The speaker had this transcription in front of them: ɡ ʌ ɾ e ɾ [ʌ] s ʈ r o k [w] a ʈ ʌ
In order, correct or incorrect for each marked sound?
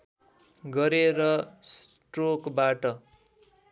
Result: correct, incorrect: b

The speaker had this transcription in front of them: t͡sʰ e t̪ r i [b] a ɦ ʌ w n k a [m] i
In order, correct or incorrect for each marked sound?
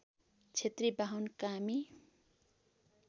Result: correct, correct

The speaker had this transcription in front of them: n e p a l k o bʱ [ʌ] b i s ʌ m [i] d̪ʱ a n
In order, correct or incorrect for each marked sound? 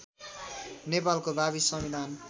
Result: incorrect: a, correct

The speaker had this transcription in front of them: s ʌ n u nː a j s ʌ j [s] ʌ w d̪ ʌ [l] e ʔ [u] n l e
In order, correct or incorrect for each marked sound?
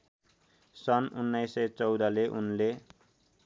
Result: incorrect: t͡s, correct, correct

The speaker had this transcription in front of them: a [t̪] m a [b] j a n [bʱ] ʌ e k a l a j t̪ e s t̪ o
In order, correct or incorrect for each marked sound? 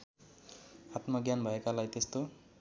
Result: correct, incorrect: ɡ, correct

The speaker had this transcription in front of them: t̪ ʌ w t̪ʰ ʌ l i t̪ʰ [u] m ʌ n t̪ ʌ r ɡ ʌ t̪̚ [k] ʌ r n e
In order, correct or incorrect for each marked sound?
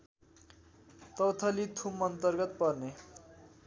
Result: correct, incorrect: p

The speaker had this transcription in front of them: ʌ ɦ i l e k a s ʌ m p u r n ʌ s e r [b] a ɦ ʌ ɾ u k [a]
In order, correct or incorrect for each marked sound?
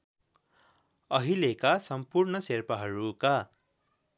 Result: incorrect: p, correct

